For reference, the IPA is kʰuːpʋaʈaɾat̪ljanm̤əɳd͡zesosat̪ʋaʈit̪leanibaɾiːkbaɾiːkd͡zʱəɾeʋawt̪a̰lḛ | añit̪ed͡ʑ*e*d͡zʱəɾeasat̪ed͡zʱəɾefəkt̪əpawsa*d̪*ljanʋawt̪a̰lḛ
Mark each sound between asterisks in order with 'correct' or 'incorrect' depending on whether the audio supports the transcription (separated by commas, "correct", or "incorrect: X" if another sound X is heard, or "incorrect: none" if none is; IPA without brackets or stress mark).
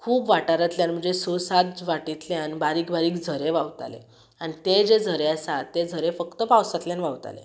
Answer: correct, incorrect: t̪